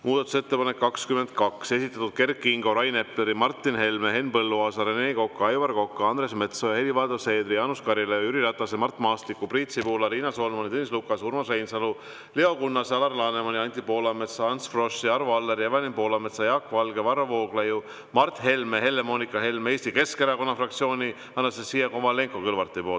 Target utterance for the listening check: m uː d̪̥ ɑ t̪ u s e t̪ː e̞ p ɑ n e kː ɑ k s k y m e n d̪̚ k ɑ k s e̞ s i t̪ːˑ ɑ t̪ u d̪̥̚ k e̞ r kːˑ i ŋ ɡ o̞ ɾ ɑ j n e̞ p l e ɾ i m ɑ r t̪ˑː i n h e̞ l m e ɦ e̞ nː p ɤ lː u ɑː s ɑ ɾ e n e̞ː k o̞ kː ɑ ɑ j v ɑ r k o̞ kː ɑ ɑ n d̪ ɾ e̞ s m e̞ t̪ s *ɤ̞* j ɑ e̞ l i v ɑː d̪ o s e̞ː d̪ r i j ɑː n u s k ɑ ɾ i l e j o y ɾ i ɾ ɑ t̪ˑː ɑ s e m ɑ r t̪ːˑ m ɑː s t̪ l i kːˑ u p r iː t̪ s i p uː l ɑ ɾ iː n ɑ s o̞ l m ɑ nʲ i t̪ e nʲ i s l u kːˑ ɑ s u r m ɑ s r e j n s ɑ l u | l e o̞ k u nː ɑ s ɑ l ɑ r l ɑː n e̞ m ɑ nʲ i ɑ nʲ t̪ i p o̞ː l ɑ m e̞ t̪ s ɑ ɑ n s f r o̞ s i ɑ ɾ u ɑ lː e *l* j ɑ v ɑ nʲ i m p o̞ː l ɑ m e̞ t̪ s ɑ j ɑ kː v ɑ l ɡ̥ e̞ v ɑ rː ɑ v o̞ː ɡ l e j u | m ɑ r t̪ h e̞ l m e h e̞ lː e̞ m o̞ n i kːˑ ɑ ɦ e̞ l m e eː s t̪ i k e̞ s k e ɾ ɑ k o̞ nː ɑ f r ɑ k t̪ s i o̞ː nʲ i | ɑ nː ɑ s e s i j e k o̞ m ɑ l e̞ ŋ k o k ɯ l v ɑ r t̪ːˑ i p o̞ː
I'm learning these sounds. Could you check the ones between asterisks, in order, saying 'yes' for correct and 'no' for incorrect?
no, no

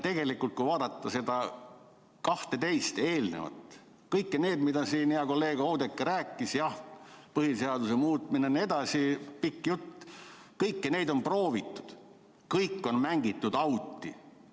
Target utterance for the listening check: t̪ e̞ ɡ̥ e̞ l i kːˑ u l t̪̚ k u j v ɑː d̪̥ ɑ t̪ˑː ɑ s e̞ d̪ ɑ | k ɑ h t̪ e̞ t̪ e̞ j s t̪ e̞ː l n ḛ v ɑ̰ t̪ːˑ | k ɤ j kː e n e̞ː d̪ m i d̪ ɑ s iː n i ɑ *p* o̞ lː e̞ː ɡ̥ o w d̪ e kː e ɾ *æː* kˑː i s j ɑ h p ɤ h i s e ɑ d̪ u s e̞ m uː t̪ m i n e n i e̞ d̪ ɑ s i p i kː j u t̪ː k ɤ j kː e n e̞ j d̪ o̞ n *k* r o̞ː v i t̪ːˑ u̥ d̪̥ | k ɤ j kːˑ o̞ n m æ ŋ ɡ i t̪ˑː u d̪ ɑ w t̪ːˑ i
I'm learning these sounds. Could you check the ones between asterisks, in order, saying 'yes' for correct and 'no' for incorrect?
no, yes, no

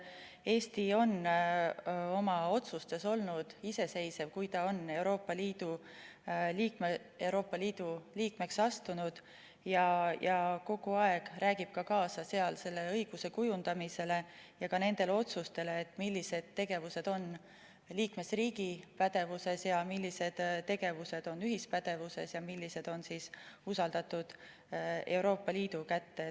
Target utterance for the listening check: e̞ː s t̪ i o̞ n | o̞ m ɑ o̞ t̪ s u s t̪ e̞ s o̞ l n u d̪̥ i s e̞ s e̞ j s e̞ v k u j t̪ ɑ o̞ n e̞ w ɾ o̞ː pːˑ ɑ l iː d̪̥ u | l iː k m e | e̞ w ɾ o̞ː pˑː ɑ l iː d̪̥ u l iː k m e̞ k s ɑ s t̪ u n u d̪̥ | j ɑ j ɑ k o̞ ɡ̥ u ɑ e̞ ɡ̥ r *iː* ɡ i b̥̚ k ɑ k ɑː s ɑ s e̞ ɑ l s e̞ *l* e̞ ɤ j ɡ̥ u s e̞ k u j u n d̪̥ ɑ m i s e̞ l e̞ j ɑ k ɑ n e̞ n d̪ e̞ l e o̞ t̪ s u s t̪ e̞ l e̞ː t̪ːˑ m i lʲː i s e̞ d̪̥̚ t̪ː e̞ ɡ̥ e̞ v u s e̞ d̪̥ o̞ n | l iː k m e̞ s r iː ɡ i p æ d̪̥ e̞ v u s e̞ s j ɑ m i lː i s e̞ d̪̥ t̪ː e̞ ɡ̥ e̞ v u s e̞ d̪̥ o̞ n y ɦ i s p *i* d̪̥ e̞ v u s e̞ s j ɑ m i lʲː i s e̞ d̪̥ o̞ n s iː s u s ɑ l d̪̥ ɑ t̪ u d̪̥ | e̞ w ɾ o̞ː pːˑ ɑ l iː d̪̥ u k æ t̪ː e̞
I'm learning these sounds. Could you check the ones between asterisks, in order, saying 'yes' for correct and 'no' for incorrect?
no, no, no

